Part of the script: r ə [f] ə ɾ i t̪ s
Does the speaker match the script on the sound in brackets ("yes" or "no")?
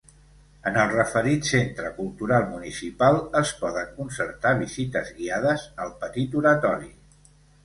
yes